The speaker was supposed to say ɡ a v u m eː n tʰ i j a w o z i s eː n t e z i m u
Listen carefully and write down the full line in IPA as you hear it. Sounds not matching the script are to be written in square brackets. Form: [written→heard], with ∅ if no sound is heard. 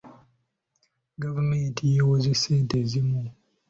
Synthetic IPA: ɡ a v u m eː n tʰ i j [a→e] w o z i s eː n t e z i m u